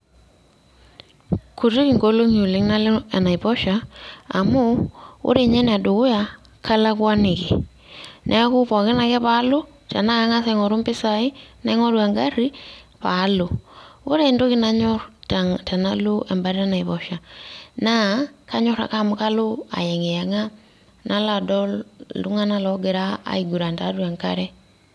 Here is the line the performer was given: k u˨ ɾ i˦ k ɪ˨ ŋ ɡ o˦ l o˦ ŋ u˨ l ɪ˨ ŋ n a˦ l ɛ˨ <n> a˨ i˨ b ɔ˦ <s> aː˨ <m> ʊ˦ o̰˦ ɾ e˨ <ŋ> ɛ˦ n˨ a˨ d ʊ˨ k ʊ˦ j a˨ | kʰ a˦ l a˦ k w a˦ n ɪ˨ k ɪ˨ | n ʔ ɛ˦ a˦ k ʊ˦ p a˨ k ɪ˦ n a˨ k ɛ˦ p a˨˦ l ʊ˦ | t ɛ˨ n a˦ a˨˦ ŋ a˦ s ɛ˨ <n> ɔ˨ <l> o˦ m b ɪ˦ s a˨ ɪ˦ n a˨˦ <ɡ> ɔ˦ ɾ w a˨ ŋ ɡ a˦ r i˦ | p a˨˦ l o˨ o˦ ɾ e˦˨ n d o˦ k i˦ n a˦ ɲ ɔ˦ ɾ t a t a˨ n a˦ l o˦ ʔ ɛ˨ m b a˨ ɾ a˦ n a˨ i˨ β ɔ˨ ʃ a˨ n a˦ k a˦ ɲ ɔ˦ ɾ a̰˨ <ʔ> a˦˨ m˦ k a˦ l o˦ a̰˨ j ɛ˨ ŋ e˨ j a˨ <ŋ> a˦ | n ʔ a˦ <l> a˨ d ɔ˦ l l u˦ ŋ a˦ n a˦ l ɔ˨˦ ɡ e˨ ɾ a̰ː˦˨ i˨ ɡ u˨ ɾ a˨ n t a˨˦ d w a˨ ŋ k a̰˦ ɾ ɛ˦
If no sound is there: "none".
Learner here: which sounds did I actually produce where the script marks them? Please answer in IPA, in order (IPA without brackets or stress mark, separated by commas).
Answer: n, ʃ, m, ɲ, ŋ, ɾ, ŋ, k, ŋ, l